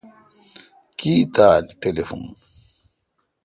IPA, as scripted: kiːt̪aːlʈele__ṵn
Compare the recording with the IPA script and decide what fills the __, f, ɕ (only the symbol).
f